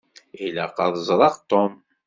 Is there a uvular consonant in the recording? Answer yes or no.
yes